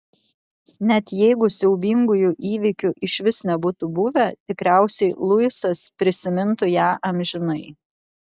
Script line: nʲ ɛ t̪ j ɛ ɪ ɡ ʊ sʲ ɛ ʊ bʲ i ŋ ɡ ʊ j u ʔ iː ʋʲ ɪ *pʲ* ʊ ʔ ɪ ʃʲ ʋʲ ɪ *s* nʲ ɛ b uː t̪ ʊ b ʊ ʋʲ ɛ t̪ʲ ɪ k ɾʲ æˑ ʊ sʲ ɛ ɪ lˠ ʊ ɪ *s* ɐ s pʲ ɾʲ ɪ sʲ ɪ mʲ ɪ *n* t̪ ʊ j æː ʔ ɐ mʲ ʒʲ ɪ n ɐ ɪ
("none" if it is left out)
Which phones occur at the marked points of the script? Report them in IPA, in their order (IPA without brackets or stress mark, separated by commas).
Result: kʲ, s, s, n